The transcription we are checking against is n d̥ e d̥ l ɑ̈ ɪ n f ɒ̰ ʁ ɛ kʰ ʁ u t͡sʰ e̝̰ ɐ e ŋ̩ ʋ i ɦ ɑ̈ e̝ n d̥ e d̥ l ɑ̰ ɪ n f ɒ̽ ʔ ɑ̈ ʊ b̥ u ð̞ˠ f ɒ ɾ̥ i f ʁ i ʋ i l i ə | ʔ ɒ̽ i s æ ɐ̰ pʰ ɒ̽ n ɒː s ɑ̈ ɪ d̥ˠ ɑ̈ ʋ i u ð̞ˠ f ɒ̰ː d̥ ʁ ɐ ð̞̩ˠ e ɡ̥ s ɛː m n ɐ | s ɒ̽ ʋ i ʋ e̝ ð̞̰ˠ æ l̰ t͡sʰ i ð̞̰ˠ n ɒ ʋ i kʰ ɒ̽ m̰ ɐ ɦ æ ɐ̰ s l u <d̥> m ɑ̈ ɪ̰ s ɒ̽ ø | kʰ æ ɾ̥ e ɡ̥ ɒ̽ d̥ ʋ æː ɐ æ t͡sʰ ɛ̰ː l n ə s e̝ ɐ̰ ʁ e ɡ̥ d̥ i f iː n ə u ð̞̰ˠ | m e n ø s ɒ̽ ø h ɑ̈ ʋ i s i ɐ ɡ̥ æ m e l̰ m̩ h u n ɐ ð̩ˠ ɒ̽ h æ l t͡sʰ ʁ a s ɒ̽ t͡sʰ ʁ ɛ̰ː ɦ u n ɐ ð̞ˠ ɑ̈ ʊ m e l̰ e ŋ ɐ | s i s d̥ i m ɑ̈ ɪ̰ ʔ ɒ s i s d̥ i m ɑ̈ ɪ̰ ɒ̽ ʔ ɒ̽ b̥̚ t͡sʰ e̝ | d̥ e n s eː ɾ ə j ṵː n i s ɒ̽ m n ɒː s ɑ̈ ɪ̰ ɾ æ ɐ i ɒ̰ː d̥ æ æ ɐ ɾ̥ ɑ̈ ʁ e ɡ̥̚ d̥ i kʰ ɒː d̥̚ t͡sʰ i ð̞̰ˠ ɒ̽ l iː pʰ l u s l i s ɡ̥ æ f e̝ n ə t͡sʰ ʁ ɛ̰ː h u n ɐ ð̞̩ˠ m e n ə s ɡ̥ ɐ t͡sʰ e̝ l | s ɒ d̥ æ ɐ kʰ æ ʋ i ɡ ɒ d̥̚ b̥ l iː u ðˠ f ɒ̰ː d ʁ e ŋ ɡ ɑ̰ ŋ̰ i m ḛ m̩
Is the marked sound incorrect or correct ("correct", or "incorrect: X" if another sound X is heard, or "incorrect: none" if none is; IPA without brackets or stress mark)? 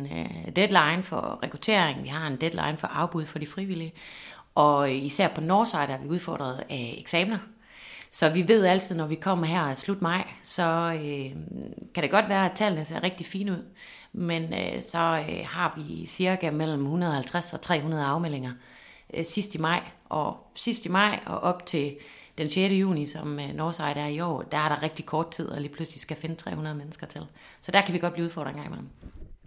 correct